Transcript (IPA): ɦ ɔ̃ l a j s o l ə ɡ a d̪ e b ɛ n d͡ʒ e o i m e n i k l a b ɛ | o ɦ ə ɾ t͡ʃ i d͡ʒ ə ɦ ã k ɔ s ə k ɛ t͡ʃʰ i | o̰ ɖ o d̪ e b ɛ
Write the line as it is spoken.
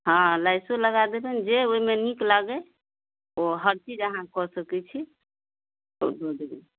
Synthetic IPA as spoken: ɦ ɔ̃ l a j s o l ə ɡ a d̪ e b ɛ n d͡ʒ e o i m e n i k l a ɡ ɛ | o ɦ ə ɾ t͡ʃ i d͡ʒ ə ɦ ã k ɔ s ə k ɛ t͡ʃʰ i | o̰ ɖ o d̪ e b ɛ